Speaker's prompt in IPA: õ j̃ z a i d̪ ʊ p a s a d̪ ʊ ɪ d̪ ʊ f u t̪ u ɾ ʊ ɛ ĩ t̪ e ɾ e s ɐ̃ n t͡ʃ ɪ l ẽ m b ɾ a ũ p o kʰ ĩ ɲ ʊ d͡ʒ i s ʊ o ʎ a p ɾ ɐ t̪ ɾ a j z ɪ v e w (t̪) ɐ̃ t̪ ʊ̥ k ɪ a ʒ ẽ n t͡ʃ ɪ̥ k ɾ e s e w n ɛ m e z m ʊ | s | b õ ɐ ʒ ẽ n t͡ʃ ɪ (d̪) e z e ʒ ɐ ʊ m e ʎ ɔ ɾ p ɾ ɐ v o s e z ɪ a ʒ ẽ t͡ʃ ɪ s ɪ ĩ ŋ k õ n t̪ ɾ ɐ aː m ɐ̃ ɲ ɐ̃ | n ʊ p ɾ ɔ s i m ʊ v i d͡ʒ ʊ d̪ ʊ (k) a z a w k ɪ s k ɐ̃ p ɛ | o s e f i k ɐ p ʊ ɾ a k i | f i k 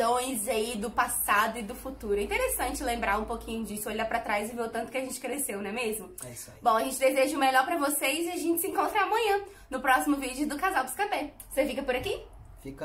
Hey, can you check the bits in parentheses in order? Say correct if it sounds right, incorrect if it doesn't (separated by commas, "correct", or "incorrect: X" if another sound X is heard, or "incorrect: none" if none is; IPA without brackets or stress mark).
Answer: correct, correct, correct